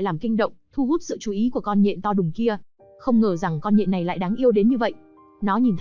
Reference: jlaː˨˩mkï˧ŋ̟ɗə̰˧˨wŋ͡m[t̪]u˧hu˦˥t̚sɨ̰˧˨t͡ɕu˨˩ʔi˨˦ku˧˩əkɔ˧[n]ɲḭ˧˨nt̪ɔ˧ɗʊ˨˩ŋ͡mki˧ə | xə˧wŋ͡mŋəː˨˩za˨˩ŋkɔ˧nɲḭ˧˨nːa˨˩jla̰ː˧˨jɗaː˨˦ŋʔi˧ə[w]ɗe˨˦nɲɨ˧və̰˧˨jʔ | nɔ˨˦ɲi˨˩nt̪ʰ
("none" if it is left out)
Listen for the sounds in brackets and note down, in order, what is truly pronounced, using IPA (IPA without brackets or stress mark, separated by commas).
t̪ʰ, n, w